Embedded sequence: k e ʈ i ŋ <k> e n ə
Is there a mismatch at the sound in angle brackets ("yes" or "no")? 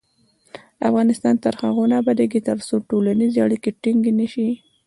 yes